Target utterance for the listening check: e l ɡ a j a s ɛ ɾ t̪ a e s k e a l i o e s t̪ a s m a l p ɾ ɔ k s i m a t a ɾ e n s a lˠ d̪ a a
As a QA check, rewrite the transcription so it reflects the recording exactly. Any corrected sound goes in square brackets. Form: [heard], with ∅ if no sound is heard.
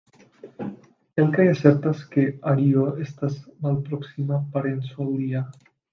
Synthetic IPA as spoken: e l [k] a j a s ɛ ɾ t̪ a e s k e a [ɾ] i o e s t̪ a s m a l p ɾ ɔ k s i m a [p] a ɾ e n s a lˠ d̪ [i] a

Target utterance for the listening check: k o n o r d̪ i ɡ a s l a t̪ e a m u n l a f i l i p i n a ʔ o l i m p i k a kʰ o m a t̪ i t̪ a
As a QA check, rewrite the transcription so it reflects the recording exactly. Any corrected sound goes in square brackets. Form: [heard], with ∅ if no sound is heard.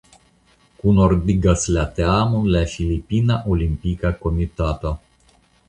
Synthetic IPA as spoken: k [u] n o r d̪ i ɡ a s l a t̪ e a m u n l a f i l i p i n a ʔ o l i m p i k a [k] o m [i] t̪ [a] t̪ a

